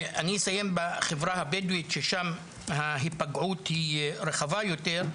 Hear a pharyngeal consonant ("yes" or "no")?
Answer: yes